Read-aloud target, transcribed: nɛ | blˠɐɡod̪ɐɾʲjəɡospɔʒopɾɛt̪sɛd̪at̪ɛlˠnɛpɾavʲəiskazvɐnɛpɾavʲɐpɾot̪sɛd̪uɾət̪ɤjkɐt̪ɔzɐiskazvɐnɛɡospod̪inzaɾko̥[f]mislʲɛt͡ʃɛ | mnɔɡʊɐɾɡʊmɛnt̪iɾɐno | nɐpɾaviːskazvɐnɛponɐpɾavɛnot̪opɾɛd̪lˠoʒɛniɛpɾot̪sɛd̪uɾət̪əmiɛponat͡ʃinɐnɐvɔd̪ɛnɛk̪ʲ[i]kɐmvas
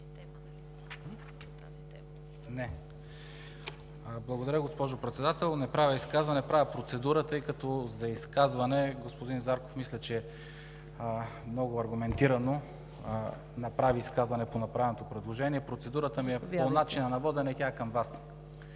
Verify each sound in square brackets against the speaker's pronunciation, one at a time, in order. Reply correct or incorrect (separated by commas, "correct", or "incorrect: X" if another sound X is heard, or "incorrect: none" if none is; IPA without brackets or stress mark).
correct, incorrect: a